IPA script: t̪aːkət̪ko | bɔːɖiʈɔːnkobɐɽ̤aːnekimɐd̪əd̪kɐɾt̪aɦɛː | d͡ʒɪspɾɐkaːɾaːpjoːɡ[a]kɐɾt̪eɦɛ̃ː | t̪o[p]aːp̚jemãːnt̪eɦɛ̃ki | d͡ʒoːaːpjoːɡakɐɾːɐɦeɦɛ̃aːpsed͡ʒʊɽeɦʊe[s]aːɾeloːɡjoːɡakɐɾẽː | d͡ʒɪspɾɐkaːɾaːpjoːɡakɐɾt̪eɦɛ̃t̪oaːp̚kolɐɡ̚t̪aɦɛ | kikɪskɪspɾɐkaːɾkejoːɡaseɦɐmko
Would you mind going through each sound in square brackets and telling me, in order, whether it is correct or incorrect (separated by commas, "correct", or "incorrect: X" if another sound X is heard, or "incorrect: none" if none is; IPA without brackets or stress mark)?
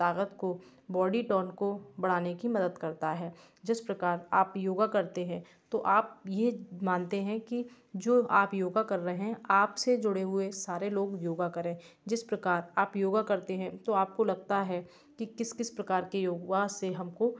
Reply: correct, incorrect: ʔ, correct